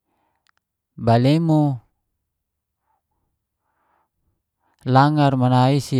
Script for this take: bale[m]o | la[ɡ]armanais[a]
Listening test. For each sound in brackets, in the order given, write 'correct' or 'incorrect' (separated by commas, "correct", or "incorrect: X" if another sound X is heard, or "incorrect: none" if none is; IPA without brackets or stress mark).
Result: correct, incorrect: ŋ, incorrect: i